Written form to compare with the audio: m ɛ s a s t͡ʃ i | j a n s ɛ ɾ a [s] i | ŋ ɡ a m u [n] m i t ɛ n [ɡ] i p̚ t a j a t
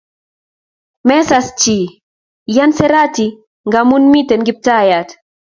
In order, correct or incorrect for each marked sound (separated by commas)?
incorrect, correct, correct